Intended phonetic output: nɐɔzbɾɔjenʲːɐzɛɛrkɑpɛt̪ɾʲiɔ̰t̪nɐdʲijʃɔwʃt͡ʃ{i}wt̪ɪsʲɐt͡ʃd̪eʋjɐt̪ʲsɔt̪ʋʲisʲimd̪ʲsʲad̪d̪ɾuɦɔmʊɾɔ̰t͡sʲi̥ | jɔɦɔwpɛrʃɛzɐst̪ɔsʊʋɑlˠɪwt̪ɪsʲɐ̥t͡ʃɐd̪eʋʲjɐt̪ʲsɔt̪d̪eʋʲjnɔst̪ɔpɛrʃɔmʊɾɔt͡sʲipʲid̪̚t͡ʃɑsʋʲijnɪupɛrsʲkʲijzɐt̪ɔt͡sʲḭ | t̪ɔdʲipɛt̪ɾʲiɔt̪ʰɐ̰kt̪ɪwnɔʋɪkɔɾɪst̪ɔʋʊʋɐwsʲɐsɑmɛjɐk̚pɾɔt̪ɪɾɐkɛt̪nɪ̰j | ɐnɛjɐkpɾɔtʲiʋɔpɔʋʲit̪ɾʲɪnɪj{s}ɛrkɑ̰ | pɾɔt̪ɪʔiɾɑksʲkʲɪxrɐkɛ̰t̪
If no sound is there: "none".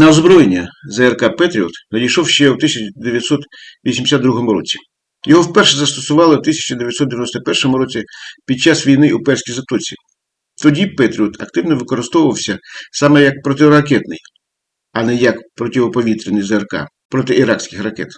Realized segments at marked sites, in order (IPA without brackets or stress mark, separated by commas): ɛ, z